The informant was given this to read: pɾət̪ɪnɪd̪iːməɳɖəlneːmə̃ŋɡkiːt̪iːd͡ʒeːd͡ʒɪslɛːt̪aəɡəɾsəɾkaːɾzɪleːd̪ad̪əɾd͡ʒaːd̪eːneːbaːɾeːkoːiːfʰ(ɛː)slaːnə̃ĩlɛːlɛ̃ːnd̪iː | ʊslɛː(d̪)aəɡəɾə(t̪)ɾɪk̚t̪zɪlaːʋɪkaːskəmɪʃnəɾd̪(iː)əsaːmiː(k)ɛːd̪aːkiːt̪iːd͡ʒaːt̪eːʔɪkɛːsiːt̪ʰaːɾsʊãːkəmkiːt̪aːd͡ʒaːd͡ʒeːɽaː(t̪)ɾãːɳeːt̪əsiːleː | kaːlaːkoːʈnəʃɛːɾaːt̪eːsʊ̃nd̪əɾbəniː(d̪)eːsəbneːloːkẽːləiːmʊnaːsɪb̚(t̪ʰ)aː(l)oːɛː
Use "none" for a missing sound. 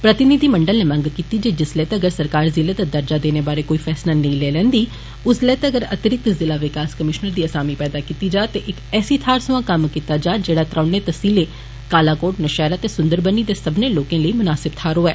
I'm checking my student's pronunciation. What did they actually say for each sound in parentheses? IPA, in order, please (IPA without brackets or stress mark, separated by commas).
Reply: ɛː, t̪, t̪, iː, p, t̪, d̪, t̪ʰ, ɾ